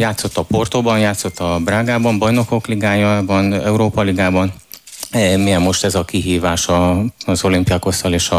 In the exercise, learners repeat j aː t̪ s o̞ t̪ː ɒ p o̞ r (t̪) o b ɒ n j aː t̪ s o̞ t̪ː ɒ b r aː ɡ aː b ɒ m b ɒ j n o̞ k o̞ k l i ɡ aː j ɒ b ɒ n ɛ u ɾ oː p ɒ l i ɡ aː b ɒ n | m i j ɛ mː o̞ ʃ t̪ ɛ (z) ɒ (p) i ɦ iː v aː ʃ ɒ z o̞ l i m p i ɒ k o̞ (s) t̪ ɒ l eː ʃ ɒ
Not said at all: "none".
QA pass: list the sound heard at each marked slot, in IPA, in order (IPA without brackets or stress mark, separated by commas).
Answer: t̪, z, k, s